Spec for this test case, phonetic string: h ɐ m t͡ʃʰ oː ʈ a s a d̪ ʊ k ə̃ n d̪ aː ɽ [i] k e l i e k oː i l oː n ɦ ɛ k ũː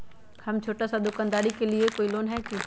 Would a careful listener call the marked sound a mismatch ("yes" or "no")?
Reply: no